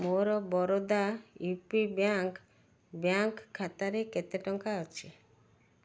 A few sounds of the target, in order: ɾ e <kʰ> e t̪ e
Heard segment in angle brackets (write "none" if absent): k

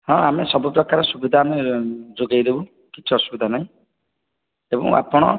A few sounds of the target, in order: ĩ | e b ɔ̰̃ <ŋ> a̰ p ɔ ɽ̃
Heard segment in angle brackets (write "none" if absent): ŋ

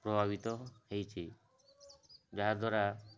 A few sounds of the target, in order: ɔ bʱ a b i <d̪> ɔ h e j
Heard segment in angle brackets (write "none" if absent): t̪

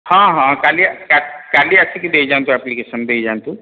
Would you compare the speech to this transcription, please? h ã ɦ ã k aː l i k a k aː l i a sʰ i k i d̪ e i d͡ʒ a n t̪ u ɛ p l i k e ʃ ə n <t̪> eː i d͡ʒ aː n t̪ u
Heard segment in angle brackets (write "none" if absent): d̪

